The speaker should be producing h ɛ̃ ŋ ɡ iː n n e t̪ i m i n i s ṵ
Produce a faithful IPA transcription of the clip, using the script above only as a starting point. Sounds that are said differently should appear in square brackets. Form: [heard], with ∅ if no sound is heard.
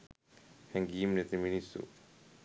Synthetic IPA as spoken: h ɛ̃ ŋ ɡ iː [m] n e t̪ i m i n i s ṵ